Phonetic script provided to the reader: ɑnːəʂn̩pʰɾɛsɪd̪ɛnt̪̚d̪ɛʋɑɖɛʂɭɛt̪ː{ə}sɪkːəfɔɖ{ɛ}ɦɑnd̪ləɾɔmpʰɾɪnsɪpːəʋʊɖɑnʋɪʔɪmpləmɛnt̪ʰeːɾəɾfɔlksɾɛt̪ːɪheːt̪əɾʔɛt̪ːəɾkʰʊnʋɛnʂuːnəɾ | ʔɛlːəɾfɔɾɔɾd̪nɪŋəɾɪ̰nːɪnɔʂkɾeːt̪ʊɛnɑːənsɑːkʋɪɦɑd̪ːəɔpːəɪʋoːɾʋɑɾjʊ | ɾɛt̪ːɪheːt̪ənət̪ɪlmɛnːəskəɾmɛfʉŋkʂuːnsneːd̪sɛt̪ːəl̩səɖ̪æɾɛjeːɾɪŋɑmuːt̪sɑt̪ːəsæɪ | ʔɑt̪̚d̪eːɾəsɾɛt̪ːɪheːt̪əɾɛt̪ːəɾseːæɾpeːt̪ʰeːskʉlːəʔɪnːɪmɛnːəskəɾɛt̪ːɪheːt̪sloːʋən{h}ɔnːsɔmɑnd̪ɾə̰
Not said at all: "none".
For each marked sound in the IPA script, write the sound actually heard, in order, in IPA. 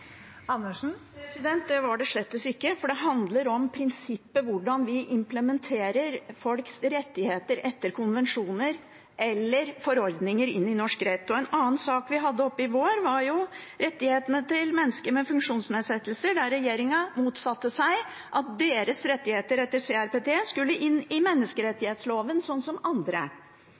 ə, ɛ, s

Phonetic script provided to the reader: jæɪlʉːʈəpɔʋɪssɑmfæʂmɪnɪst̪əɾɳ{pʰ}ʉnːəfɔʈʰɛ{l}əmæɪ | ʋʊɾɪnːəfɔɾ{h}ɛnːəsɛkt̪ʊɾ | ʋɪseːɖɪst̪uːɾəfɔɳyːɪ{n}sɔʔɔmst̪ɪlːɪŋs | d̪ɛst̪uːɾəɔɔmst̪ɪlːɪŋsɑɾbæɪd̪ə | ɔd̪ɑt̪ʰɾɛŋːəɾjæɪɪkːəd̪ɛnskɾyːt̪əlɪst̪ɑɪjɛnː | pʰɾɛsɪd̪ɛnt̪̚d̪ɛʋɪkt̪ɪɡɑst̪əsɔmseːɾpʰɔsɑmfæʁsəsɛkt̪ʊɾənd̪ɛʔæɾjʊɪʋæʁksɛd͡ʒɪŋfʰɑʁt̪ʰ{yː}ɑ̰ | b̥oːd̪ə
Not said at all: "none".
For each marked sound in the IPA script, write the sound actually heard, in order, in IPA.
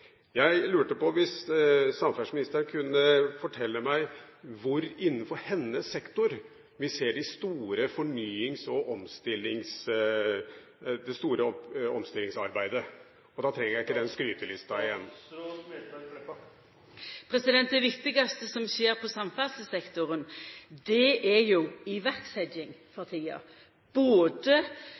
kʰ, lː, h, ŋ, iː

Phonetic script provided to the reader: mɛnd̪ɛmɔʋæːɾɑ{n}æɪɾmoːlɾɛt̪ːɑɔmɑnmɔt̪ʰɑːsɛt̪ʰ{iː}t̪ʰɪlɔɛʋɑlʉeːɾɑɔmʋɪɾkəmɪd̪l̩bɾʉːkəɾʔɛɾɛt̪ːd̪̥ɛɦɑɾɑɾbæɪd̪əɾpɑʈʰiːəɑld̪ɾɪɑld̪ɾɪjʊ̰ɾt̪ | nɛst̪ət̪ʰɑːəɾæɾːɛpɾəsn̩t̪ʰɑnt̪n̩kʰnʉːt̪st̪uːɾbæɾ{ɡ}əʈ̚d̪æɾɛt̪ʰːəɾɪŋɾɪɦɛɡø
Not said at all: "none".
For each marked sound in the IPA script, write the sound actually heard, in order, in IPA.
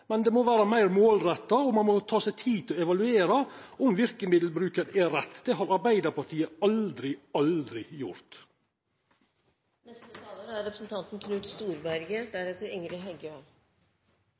m, iː, ɡ

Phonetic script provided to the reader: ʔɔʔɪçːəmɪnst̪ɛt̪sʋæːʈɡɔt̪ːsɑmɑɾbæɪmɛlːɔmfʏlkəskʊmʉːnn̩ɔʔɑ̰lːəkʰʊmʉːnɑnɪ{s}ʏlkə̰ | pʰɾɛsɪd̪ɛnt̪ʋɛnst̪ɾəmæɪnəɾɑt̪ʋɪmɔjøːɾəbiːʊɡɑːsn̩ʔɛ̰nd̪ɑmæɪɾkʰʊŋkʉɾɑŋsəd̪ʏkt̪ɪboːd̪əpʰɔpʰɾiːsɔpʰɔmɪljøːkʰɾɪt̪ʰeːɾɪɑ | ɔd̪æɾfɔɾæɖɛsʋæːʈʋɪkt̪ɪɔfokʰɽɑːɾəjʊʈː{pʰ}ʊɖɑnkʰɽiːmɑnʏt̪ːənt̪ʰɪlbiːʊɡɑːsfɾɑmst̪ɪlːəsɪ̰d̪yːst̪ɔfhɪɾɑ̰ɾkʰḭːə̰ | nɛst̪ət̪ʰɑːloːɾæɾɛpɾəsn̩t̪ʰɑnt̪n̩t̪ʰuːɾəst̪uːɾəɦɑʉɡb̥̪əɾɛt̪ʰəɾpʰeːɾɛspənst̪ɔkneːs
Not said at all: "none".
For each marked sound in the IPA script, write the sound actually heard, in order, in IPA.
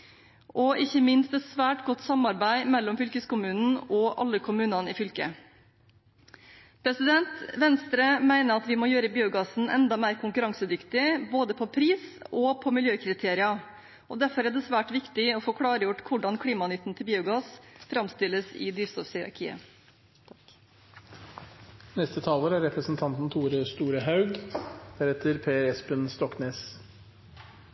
f, kʰ

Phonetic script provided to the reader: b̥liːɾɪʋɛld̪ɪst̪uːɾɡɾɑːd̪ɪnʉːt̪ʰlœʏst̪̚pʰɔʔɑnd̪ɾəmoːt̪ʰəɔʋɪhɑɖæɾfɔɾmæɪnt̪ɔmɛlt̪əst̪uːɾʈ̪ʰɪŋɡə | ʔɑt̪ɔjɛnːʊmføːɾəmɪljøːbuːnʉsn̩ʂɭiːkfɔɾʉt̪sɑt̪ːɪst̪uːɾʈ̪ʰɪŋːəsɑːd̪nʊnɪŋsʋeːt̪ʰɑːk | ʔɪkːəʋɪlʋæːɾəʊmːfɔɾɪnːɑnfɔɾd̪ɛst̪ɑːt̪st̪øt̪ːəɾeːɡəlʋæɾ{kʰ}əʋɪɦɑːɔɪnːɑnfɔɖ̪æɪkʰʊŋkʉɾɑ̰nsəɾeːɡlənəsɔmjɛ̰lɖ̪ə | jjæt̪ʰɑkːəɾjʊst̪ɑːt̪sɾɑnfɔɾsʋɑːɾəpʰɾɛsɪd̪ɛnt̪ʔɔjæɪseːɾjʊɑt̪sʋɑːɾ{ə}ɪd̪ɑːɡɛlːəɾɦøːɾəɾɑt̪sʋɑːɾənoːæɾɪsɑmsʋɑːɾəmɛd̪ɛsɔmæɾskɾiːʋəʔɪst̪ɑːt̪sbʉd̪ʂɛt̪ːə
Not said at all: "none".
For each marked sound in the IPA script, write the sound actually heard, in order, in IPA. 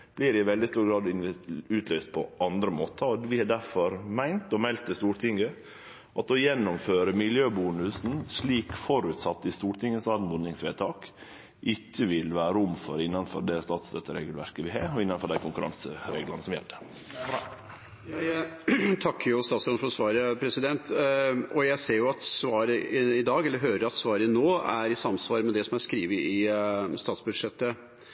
k, ə

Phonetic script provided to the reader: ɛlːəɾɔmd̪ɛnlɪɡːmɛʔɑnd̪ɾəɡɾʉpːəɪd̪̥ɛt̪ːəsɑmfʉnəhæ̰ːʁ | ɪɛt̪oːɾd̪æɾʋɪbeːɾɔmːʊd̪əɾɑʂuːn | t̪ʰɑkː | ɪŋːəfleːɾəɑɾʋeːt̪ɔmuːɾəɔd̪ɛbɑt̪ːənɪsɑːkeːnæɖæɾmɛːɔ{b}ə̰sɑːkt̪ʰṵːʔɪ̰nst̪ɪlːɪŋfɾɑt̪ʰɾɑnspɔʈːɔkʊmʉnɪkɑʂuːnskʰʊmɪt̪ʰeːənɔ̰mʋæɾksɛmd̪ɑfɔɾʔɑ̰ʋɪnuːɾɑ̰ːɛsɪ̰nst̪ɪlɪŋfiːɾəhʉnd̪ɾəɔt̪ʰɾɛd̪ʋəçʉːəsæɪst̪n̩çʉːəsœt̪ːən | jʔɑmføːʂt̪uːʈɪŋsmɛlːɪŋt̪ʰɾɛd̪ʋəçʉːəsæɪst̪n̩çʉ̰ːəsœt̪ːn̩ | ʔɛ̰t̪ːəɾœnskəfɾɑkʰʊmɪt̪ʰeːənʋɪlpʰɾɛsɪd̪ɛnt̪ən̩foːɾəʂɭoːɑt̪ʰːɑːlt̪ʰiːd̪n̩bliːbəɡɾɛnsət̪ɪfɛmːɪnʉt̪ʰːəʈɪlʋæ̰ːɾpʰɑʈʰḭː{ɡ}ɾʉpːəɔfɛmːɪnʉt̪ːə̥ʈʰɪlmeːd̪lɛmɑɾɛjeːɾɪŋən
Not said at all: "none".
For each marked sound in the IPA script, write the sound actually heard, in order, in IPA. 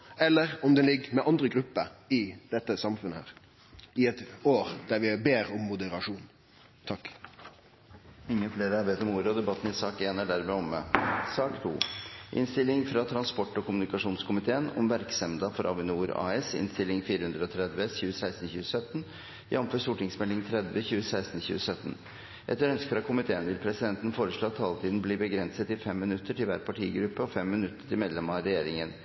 m, ɡ

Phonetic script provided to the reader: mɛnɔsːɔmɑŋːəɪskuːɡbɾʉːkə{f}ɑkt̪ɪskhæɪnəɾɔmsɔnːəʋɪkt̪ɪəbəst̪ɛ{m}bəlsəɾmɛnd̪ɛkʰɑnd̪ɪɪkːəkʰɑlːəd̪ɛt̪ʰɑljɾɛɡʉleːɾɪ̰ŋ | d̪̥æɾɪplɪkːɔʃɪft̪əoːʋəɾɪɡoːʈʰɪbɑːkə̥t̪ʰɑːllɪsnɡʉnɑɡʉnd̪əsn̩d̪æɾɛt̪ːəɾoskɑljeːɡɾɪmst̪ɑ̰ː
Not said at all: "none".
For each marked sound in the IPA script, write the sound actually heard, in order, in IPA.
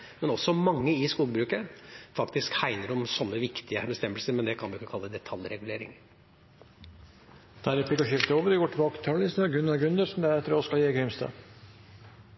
f, m

